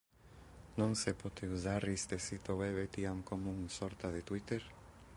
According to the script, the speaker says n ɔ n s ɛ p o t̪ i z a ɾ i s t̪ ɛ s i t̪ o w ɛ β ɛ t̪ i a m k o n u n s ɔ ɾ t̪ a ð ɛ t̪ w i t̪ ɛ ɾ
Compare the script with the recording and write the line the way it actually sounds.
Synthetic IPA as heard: n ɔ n s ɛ p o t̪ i z a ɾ i s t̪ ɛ s i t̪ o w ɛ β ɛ t̪ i a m k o m u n s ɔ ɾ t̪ a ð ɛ t̪ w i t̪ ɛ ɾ